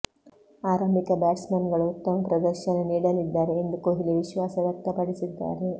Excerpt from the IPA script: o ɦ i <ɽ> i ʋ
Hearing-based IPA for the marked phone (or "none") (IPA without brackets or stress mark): l